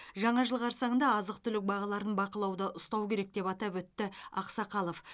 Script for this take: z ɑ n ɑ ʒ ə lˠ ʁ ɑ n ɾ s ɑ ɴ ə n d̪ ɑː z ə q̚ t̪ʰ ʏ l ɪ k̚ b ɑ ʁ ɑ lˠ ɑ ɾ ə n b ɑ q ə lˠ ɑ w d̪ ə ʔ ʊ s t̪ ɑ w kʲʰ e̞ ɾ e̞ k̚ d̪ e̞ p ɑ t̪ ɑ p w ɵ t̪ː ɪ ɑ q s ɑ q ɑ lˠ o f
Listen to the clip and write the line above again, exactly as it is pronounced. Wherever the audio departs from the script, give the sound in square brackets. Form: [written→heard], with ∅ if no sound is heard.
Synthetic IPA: [z→ʒ] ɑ [n→ɴ] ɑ ʒ ə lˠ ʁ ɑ [n→∅] ɾ s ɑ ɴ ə n d̪ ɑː z ə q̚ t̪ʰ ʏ l ɪ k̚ b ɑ ʁ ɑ lˠ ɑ ɾ ə n b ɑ q ə lˠ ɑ w d̪ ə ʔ ʊ s t̪ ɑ w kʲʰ e̞ ɾ e̞ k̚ d̪ e̞ p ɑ t̪ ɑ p w ɵ t̪ː ɪ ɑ q s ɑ q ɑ lˠ o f